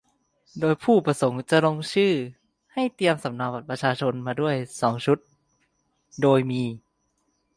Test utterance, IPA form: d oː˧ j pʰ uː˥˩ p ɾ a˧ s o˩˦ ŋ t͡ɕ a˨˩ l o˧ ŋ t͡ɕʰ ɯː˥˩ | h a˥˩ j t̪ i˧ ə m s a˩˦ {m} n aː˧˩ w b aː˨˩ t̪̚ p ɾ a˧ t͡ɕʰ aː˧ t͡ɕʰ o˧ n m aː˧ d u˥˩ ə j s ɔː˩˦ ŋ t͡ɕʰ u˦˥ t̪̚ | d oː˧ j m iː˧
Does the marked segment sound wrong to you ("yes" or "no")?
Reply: no